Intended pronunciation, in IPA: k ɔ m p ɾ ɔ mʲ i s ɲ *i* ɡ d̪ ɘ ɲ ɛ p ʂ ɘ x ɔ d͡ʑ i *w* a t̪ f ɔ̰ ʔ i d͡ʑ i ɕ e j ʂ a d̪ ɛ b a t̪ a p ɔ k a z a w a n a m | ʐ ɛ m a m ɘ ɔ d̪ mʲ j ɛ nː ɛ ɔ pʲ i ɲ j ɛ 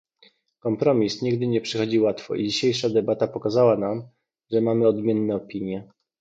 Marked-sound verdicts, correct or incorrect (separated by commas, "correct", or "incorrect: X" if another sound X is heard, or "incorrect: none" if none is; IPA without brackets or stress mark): correct, correct